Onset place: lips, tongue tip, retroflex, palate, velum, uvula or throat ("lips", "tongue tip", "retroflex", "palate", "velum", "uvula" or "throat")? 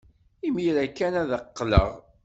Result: lips